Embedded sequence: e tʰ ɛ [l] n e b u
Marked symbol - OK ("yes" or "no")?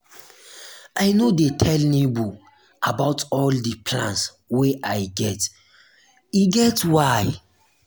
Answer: yes